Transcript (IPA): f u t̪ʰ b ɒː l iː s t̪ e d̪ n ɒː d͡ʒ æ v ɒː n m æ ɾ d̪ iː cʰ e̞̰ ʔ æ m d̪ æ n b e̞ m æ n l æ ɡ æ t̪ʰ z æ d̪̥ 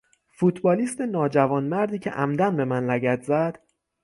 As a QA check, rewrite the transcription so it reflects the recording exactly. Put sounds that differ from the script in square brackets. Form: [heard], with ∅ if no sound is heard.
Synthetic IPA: f u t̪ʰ b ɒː l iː s t̪ e [∅] n ɒː d͡ʒ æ v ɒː n m æ ɾ d̪ iː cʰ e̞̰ ʔ æ m d̪ æ n b e̞ m æ n l æ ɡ æ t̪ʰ z æ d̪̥